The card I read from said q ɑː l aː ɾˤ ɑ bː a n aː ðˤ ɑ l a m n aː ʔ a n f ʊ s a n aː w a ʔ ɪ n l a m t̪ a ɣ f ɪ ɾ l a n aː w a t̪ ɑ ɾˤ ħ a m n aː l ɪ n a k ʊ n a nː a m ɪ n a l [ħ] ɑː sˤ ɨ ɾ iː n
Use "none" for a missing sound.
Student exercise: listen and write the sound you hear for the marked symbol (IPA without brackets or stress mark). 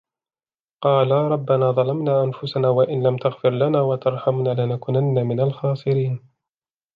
x